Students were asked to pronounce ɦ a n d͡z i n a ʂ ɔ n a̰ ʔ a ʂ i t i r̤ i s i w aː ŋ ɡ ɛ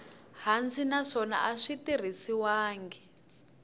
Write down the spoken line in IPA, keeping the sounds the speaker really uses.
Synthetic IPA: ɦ a n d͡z i n a ʂ ɔ n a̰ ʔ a ʂ i t i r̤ i s i w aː ŋ ɡ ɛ